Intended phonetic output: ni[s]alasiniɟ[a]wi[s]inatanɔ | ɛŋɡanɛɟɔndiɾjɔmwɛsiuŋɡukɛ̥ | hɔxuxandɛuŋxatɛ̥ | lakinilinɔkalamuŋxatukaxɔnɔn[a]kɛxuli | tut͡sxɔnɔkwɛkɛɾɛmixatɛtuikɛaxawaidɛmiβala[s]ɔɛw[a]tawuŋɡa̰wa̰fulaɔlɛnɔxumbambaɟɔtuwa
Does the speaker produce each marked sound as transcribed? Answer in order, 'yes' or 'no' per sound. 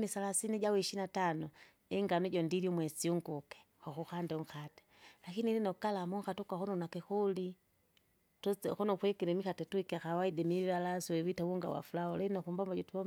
yes, yes, no, yes, yes, no

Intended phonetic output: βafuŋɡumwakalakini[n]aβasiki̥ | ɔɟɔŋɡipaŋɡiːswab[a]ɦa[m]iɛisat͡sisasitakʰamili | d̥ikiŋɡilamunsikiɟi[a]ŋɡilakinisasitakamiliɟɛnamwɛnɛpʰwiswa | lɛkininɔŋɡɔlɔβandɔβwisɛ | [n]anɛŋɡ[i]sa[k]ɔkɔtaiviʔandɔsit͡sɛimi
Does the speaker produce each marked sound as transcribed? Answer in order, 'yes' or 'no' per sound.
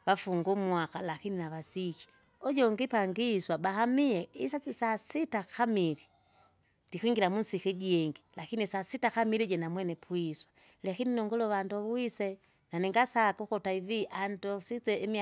yes, yes, yes, no, yes, no, yes

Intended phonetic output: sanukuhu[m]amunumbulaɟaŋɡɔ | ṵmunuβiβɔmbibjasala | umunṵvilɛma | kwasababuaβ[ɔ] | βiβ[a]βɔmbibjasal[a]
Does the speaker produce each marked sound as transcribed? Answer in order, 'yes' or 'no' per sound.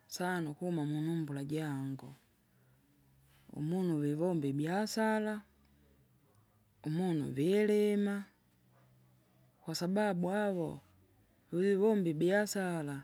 yes, yes, no, yes

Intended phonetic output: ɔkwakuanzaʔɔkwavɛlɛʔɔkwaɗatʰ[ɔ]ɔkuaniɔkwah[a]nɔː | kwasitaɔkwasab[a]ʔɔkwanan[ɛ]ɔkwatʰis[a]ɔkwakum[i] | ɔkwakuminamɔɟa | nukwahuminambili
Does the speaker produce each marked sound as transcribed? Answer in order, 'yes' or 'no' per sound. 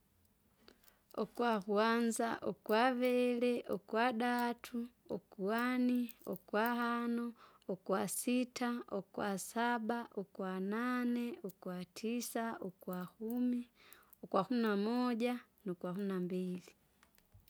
no, yes, yes, yes, yes, yes

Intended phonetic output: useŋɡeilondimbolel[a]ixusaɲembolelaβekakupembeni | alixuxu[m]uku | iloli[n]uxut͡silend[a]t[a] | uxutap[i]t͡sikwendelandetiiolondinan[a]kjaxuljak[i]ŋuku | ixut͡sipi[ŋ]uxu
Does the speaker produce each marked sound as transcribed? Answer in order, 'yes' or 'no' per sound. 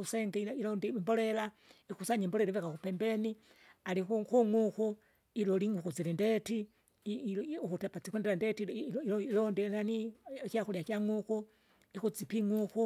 yes, no, no, no, no, no, no, no, yes

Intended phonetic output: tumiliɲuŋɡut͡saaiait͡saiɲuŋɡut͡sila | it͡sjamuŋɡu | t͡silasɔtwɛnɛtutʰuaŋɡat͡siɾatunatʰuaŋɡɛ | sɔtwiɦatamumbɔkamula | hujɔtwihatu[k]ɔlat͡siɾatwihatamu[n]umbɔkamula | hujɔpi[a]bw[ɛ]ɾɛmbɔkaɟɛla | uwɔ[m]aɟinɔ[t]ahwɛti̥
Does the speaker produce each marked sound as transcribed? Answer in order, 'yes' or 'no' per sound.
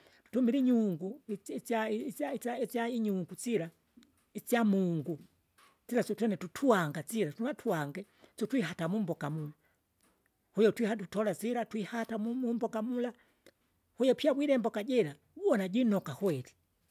no, no, yes, no, no, no

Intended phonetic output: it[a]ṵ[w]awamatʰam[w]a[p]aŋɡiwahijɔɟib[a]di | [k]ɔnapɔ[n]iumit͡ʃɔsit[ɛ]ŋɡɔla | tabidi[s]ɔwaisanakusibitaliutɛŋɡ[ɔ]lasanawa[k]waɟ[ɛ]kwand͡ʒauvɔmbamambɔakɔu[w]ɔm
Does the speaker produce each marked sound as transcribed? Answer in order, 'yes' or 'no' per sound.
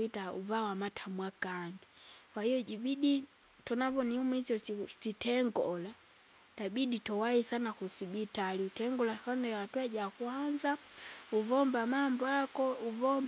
yes, no, yes, no, no, no, yes, yes, no, yes, no, no, no

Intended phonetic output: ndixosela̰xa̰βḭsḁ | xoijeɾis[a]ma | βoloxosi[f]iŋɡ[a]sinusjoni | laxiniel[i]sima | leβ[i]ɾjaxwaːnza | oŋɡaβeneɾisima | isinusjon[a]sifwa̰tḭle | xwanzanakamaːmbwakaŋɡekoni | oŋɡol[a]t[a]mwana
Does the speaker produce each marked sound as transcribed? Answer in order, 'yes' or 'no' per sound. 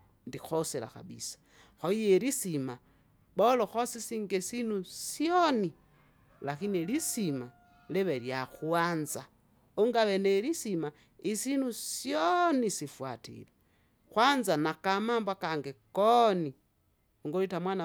no, no, no, yes, no, no, no, yes

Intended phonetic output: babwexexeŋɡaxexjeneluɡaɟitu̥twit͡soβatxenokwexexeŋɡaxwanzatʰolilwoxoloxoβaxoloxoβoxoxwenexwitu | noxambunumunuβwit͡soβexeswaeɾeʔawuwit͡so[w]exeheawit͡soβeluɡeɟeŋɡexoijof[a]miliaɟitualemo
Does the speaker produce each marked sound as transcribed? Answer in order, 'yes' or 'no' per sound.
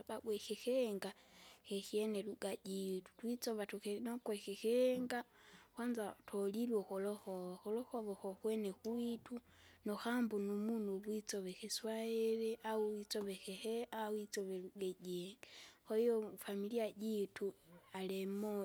no, yes

